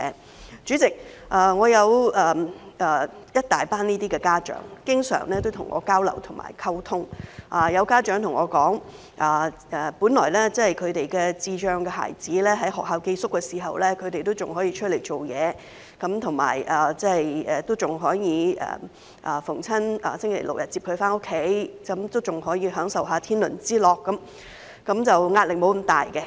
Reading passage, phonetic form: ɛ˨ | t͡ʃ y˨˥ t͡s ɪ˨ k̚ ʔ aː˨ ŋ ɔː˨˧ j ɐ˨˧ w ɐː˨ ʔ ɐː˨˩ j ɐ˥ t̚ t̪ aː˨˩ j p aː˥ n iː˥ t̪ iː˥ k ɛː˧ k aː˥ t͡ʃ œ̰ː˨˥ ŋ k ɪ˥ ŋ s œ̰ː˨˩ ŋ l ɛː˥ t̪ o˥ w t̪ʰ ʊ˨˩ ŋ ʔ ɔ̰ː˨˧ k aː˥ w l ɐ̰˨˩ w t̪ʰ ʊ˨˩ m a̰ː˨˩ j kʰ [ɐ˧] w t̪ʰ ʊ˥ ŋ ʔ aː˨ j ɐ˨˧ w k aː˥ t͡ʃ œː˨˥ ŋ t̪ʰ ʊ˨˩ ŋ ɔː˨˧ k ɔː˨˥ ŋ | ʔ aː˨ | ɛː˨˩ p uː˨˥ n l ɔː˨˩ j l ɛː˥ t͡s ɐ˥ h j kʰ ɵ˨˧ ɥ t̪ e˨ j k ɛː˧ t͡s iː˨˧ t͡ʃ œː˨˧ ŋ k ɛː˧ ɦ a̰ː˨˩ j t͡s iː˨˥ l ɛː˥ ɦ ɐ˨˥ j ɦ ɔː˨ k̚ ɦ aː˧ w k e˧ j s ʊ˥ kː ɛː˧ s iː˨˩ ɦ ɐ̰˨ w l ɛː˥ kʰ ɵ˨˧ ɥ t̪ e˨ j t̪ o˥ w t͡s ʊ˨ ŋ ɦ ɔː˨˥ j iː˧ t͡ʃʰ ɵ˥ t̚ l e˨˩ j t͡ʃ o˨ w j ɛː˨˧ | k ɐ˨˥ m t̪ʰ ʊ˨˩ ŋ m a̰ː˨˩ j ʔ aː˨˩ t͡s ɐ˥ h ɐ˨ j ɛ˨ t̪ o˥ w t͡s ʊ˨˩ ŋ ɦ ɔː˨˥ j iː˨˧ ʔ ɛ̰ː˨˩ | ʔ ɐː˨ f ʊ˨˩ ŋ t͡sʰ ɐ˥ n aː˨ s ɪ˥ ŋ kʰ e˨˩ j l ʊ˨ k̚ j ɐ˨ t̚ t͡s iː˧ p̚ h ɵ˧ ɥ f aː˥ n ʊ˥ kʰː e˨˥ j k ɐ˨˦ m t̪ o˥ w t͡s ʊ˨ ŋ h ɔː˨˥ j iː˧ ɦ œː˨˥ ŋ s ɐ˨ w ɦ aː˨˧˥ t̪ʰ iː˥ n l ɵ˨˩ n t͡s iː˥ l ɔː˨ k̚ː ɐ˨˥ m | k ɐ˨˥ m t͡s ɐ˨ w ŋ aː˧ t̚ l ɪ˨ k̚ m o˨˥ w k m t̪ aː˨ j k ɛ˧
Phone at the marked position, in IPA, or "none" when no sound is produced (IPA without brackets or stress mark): ɐ˥